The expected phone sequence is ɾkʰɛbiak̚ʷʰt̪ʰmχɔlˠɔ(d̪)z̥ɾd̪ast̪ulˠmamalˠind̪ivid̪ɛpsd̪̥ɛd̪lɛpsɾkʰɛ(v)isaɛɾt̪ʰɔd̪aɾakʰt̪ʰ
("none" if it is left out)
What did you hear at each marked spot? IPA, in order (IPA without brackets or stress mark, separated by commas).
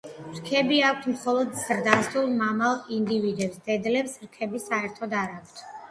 d̪, b